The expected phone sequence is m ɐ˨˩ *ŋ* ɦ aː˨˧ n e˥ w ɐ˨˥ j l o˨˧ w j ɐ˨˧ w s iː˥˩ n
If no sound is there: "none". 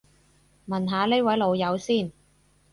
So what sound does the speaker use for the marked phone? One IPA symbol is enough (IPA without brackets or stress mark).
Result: n